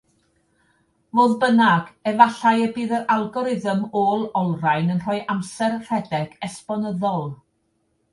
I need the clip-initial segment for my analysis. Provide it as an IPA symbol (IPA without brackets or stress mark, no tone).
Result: v